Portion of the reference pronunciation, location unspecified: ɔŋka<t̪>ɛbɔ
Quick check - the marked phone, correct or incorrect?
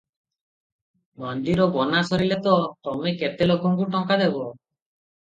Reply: incorrect: d̪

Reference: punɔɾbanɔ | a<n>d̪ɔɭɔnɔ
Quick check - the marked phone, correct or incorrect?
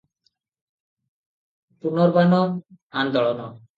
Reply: correct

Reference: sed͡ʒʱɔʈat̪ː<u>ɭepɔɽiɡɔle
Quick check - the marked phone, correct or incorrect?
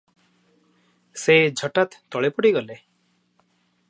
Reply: incorrect: ɔ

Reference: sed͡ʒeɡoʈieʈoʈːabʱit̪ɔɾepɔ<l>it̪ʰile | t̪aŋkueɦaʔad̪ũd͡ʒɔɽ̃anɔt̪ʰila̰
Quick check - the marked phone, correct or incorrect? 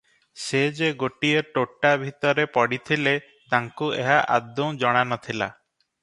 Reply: incorrect: ɽ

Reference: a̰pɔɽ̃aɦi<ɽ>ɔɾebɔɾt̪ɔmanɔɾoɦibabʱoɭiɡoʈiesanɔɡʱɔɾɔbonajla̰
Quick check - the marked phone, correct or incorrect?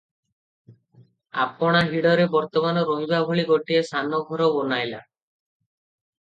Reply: correct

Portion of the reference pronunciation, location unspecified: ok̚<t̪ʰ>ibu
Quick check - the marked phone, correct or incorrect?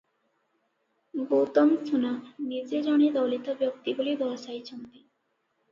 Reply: incorrect: t̪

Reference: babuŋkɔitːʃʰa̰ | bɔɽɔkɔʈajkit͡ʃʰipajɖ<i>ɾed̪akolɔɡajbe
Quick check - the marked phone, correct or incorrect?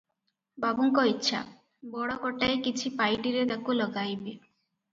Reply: correct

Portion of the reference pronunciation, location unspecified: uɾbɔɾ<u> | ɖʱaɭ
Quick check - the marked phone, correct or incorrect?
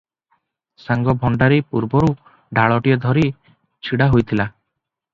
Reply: correct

